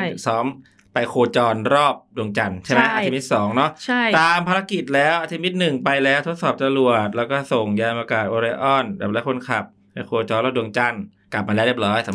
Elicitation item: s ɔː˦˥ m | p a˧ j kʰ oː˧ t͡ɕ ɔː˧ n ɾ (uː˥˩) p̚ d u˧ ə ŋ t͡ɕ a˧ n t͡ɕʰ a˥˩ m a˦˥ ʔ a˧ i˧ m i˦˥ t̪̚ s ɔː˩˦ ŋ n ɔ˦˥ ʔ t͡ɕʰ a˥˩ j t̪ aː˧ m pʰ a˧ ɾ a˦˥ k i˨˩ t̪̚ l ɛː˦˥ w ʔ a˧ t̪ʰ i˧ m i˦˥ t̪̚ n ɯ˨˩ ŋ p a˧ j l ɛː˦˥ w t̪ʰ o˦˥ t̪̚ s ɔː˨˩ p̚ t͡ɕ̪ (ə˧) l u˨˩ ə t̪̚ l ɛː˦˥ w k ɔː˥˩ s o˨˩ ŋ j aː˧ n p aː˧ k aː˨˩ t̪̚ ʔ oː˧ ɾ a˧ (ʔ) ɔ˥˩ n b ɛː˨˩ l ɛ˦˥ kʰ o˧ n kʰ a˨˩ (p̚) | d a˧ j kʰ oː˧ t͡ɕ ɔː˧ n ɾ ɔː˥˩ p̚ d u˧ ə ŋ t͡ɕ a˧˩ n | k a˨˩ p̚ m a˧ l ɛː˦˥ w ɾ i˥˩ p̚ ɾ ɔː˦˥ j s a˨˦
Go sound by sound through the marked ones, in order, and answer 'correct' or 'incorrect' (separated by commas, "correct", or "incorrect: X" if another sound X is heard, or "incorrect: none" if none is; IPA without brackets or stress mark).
incorrect: ɔː˥˩, incorrect: a˧, correct, correct